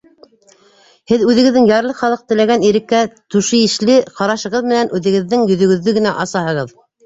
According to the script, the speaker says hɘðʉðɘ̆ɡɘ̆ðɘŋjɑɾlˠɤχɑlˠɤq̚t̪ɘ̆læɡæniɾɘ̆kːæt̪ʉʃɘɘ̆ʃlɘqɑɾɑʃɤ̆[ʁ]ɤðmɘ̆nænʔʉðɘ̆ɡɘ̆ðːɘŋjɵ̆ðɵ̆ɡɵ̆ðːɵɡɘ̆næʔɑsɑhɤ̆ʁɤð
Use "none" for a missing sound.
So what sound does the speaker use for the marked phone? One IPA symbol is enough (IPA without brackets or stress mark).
ʁ